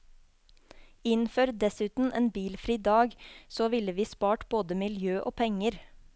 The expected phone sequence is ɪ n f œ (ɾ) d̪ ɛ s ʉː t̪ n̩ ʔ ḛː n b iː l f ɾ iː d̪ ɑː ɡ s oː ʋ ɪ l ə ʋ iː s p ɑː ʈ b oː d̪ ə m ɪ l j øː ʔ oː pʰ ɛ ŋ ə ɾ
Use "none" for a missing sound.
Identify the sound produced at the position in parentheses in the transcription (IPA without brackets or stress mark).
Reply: ɾ